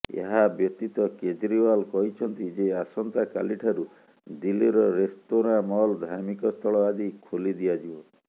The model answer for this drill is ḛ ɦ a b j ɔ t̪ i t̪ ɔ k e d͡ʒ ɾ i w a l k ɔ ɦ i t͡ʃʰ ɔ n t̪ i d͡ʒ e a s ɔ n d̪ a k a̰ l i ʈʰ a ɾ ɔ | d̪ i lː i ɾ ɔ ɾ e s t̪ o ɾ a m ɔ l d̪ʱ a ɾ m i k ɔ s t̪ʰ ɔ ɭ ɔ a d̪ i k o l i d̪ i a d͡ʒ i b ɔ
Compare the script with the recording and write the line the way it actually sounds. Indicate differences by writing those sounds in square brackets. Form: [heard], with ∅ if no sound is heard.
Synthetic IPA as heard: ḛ ɦ a b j ɔ t̪ i t̪ ɔ k e d͡ʒ ɾ i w a l k ɔ ɦ i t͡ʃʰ ɔ n t̪ i d͡ʒ e a s ɔ n [t̪] a k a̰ l i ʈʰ a ɾ [u] | d̪ i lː i ɾ ɔ ɾ e s t̪ o ɾ a m ɔ l d̪ʱ a ɾ m i k ɔ s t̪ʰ ɔ ɭ ɔ a d̪ i [kʰ] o l i d̪ i a d͡ʒ i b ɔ